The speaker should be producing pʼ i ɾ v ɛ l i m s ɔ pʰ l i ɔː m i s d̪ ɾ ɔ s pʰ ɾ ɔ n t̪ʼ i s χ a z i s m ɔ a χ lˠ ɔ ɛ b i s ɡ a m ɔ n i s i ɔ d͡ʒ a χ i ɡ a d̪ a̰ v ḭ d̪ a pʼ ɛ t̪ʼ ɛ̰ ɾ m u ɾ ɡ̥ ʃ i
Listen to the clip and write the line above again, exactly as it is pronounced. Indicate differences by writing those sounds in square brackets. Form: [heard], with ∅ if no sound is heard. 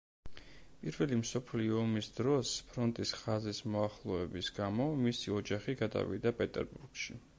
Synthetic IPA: pʼ i ɾ v ɛ l i m s ɔ pʰ l i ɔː m i s d̪ ɾ ɔ s pʰ ɾ ɔ n t̪ʼ i s χ a z i s m ɔ a χ lˠ ɔ ɛ b i s ɡ a m ɔ [m] i s i ɔ d͡ʒ a χ i ɡ a d̪ a̰ v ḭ d̪ a pʼ ɛ t̪ʼ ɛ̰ ɾ [b] u ɾ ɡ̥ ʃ i